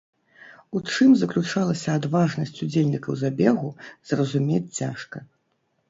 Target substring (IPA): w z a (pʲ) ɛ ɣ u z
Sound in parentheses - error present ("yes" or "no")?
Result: yes